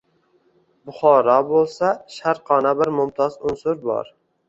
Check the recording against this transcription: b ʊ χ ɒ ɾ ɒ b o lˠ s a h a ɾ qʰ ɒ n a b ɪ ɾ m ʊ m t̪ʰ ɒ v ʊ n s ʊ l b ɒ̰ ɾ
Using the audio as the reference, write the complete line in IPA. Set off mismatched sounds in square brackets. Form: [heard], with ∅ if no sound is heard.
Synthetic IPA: b ʊ χ ɒ ɾ ɒ b o lˠ s a [ʃ] a ɾ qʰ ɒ n a b ɪ ɾ m ʊ m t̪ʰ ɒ [z] ʊ n s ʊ [ɾ] b ɒ̰ ɾ